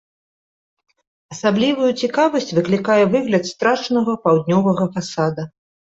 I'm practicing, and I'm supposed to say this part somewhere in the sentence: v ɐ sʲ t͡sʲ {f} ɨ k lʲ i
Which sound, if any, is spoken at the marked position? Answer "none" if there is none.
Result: v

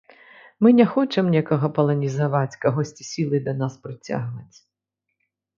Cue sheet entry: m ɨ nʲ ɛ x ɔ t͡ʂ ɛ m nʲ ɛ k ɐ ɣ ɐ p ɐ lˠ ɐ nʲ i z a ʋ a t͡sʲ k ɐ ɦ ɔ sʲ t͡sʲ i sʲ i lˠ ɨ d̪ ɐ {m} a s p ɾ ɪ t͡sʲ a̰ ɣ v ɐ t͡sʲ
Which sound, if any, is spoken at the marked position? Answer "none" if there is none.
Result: n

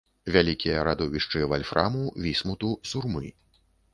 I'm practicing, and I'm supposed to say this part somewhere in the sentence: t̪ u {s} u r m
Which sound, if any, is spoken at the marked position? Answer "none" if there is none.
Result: s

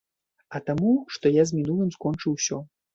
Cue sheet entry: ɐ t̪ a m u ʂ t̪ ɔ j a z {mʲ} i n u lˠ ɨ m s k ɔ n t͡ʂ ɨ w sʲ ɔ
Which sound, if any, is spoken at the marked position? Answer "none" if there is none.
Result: mʲ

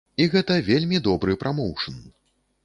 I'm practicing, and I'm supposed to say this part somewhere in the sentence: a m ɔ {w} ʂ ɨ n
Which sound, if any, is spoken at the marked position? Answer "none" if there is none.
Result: w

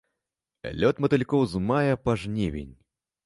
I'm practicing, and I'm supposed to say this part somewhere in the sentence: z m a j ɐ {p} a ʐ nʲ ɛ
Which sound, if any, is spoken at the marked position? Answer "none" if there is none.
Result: p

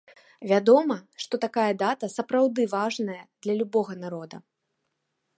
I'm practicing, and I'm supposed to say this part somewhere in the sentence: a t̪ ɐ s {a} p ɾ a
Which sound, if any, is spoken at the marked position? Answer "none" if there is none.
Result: ɐ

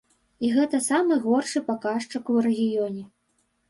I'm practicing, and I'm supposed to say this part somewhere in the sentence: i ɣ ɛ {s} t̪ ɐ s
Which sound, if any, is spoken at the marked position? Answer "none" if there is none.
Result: none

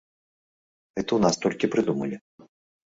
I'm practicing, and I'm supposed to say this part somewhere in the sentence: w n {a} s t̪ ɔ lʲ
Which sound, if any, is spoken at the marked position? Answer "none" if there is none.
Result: a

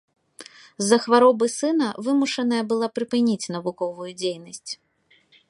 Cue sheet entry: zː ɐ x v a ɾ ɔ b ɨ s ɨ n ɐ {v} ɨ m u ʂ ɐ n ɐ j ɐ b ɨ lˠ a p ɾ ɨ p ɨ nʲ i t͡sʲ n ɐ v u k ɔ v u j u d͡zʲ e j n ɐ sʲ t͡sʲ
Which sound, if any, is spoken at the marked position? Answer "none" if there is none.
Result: v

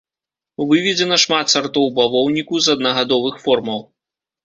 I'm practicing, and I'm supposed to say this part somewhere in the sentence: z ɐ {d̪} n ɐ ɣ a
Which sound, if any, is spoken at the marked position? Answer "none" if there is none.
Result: d̪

